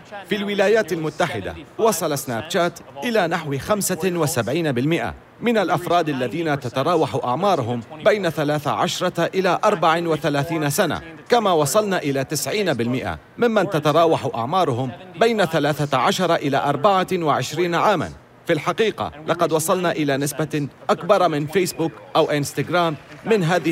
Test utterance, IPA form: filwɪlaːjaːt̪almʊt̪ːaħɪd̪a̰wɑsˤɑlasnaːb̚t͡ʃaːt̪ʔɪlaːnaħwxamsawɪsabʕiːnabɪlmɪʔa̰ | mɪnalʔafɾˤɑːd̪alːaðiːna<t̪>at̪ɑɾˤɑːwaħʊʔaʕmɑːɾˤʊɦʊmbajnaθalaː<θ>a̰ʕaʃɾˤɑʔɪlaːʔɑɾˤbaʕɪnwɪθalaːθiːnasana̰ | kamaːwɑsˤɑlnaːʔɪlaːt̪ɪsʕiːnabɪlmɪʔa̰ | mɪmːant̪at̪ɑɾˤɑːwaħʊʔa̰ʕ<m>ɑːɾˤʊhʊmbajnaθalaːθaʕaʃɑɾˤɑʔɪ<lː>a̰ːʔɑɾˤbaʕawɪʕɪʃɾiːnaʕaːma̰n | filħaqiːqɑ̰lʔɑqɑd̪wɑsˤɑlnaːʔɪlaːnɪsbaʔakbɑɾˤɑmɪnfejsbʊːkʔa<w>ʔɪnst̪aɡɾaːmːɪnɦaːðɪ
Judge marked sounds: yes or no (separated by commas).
yes, yes, yes, no, yes